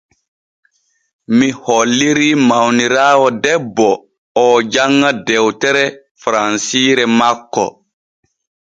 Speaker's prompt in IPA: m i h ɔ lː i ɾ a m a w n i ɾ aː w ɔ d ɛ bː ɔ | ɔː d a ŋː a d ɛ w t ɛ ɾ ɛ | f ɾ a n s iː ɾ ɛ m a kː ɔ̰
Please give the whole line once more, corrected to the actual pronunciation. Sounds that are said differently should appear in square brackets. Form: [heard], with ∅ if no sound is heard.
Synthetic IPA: m i h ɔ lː i ɾ [i] m a w n i ɾ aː w ɔ d ɛ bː ɔ | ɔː [d͡ʒ] a ŋː a d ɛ w t ɛ ɾ ɛ | f ɾ a n s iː ɾ ɛ m a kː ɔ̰